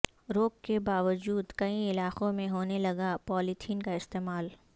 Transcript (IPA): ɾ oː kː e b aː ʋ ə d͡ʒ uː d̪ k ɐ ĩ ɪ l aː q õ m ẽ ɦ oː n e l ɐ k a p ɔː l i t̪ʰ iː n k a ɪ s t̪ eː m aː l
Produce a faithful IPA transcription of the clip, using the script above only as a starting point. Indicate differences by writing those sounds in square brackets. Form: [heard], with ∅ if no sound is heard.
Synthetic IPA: ɾ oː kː e b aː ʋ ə d͡ʒ uː d̪ k ɐ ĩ ɪ l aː q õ m ẽ ɦ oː n e l ɐ [ɡ] a p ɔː l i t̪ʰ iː n k a ɪ s t̪ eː m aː l